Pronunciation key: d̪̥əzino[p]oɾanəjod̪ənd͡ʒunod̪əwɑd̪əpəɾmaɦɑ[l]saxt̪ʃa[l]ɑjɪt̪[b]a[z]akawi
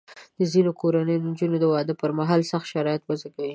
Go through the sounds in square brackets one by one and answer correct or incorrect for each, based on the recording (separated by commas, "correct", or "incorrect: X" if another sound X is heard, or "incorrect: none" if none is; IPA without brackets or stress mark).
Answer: incorrect: k, correct, incorrect: ɾ, incorrect: w, correct